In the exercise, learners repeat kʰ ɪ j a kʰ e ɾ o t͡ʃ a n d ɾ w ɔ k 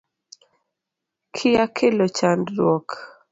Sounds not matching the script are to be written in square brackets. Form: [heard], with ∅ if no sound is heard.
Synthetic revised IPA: kʰ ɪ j a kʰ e [l] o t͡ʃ a n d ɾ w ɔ k